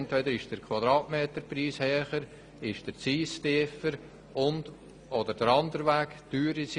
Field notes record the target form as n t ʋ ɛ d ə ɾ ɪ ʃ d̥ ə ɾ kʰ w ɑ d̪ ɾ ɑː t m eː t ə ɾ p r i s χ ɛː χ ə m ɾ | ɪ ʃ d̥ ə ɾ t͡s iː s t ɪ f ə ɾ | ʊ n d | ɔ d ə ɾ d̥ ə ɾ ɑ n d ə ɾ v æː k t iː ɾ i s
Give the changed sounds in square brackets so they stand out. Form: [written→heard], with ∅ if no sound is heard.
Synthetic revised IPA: n t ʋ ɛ d ə ɾ ɪ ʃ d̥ ə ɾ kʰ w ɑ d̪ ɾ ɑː t m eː t ə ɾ p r [i→iː] s [χ→h] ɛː χ ə [m→∅] ɾ | ɪ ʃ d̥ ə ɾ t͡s iː s t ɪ f ə ɾ | ʊ n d | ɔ d ə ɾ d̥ ə ɾ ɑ n d ə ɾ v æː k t [iː→yː] ɾ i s

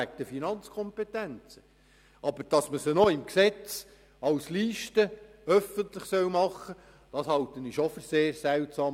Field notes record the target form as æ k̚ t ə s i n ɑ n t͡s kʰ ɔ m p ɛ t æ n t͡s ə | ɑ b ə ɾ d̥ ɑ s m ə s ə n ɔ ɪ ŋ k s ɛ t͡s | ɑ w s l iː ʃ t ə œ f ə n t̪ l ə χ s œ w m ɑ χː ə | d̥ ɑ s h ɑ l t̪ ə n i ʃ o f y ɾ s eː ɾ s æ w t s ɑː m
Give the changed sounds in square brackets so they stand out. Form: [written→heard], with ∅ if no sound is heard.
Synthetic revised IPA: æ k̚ t ə [s→f] i n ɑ n t͡s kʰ ɔ m p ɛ t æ n t͡s ə | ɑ b ə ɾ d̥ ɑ s m ə s ə n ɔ ɪ [ŋ→m] k s ɛ t͡s | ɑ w s l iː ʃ t ə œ f ə n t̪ l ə χ s œ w m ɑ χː ə | d̥ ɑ s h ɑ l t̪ ə n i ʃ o f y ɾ s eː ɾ s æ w t s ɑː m

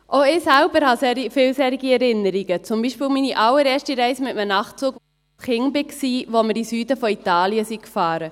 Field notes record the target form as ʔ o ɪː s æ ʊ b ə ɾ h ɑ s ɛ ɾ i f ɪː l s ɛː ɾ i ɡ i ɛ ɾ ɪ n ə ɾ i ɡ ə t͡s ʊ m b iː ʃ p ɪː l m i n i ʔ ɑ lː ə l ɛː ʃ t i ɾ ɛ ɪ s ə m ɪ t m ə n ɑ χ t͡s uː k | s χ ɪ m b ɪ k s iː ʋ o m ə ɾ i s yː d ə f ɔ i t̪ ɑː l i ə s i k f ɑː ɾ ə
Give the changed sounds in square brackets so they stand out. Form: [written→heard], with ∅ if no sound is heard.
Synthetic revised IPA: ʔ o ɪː s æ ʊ b ə ɾ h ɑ s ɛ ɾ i f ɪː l s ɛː ɾ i ɡ i ɛ ɾ ɪ n ə ɾ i ɡ ə t͡s ʊ m b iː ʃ p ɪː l m i n i ʔ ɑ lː ə [l→ɾ] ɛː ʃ t i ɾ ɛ ɪ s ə m ɪ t m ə n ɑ χ t͡s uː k | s χ ɪ [m→ŋ] b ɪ k s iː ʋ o m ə ɾ i s yː d ə f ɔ i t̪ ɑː l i ə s i k f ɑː ɾ ə

